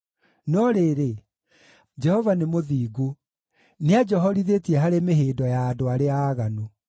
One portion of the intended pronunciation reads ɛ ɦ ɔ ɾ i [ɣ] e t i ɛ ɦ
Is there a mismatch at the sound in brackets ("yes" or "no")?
yes